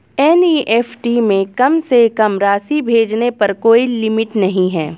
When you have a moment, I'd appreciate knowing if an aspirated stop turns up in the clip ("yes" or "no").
no